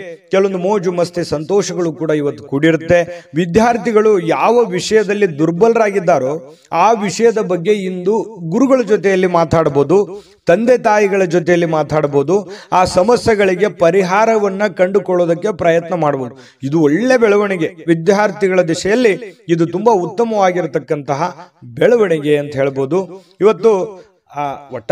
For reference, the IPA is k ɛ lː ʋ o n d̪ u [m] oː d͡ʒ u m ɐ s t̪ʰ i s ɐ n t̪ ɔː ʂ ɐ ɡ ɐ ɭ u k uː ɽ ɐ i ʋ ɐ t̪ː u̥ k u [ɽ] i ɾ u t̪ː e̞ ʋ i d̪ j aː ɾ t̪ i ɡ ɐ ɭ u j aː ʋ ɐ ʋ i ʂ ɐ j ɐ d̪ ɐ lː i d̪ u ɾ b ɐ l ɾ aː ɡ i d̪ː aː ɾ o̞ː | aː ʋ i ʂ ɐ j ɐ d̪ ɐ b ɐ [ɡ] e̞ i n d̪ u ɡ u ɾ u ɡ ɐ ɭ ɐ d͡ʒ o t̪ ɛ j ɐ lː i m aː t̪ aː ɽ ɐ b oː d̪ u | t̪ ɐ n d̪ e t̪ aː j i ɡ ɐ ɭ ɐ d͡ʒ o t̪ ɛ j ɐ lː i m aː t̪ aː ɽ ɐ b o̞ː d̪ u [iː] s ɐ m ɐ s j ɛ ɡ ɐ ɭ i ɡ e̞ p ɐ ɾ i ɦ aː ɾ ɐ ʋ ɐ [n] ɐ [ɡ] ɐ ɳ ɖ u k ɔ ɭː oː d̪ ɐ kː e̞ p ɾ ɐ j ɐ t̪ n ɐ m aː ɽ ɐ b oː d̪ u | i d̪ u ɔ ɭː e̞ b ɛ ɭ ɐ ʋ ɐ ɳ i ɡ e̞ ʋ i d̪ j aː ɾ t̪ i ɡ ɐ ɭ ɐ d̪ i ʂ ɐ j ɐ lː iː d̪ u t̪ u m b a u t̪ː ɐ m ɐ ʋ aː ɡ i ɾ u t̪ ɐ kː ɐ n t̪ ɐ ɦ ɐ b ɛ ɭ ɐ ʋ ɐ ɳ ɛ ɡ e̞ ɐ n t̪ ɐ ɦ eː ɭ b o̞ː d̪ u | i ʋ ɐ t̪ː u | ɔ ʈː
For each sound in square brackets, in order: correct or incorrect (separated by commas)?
correct, correct, incorrect, incorrect, incorrect, incorrect